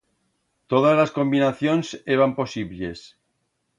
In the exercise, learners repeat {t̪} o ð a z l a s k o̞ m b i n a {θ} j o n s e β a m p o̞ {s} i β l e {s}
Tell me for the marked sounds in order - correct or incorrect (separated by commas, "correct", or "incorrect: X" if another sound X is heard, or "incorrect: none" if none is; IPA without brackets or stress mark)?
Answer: correct, correct, correct, correct